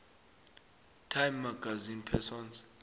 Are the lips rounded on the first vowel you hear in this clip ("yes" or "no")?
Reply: no